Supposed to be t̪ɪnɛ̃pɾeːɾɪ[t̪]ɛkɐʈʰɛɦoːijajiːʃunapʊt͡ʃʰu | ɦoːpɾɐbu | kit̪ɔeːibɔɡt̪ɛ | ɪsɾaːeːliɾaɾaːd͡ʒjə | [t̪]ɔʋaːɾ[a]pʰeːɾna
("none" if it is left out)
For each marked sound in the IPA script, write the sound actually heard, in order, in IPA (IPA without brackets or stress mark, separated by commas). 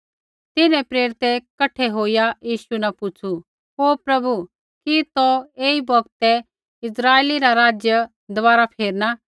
t̪, d̪, a